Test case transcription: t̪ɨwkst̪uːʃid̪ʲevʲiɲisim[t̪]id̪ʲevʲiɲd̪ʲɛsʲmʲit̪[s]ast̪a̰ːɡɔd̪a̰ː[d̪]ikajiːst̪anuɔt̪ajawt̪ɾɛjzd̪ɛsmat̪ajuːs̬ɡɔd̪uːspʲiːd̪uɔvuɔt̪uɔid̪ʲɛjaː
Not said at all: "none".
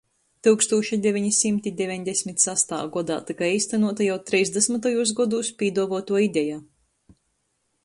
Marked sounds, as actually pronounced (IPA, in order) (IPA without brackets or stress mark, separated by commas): t̪, s, t̪